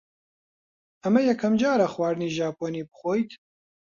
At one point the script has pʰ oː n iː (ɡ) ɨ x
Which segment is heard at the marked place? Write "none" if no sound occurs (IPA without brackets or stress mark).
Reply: b